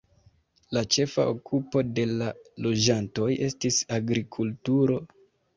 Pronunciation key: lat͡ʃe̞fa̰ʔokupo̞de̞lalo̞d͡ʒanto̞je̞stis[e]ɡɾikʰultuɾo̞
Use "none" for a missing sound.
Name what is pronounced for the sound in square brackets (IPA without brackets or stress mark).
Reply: a